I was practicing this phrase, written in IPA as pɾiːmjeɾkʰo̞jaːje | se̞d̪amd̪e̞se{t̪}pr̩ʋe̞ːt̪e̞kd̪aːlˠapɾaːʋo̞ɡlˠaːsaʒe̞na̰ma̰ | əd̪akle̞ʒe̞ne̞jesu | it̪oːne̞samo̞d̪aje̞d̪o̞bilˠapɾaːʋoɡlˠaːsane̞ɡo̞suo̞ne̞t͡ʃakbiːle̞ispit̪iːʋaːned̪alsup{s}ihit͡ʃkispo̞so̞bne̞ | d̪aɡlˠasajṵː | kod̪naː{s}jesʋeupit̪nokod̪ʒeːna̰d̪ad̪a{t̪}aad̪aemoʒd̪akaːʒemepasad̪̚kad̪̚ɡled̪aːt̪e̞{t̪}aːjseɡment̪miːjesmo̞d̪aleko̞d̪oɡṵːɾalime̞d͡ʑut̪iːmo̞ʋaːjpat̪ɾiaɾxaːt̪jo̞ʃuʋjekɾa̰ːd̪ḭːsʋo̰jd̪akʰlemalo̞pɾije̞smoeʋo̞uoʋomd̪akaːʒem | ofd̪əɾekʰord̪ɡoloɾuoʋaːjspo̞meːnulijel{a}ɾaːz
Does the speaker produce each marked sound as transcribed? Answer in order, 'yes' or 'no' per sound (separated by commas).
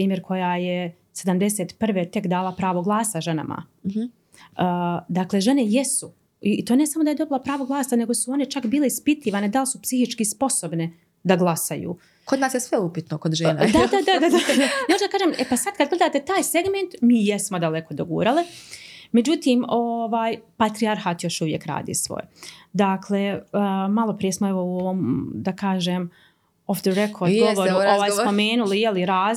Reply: yes, yes, yes, no, yes, no